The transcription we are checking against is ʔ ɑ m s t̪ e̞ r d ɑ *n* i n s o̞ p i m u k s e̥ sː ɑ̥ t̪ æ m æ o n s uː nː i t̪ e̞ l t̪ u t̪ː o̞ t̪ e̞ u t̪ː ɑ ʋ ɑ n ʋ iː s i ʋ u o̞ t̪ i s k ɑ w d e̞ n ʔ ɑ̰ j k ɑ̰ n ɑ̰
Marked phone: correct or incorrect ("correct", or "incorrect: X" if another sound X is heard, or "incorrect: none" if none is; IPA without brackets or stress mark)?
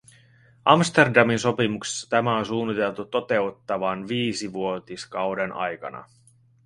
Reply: incorrect: m